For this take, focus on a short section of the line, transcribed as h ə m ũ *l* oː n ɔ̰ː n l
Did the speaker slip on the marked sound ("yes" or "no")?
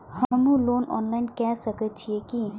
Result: no